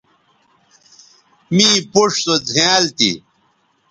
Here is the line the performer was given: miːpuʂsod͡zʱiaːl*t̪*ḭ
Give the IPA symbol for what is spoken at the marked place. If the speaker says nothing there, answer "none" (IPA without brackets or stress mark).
t̪